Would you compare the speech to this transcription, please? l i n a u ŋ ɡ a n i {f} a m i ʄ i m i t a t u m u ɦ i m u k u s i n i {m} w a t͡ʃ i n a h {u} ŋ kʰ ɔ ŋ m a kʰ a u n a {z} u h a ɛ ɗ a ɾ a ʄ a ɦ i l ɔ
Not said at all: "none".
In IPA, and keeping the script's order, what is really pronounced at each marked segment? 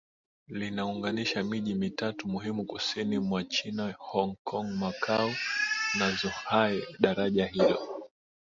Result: ʃ, m, ɔ, z

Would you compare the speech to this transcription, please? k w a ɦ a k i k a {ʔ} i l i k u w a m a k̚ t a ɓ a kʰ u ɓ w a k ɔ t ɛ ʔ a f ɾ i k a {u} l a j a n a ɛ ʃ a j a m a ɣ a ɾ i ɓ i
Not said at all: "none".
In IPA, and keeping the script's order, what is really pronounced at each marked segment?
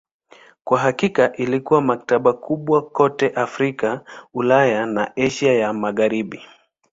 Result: ʔ, u

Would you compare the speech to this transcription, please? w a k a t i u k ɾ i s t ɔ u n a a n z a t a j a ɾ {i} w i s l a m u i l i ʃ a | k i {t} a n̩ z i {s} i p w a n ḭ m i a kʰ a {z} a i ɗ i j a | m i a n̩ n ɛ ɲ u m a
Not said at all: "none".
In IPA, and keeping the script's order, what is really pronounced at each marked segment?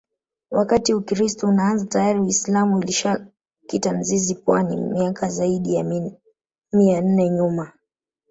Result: i, t, z, z

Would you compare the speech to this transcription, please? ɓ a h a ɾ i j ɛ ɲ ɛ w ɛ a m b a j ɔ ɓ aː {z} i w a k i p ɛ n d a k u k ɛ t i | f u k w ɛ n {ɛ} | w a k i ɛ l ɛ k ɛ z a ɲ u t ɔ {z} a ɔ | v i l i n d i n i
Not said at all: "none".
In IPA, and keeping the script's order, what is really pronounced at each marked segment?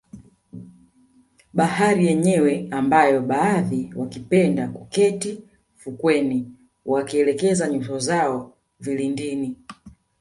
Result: ð, i, z

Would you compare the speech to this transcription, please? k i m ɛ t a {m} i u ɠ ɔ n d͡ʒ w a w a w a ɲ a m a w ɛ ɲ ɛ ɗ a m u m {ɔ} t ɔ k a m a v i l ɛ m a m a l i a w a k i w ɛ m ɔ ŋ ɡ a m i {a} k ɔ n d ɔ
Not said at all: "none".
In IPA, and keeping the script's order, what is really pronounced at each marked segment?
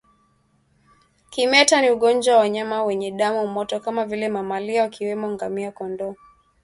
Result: n, ɔ, a

